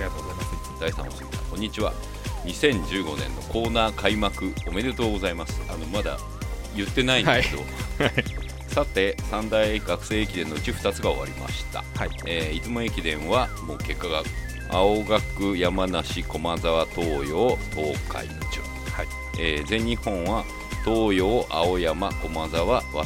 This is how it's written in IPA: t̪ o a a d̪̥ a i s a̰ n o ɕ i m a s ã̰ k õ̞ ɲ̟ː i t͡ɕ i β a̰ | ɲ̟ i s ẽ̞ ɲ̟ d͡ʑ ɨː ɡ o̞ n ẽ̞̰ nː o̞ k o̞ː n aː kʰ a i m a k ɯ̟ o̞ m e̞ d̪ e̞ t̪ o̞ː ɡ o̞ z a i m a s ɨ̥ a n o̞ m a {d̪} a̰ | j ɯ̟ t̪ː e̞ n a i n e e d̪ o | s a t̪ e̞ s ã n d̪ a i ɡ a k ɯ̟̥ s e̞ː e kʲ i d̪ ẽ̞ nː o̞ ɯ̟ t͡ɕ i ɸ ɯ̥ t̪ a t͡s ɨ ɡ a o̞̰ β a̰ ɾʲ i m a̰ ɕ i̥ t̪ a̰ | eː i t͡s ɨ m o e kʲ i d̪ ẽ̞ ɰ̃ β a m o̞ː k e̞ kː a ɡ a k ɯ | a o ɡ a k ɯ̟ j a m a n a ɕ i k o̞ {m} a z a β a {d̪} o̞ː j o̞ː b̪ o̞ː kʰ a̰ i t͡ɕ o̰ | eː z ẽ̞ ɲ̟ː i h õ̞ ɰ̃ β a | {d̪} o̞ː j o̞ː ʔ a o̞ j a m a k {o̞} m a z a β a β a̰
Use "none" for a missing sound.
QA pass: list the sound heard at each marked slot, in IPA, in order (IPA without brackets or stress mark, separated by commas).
d̪, m, t̪, t̪, o̞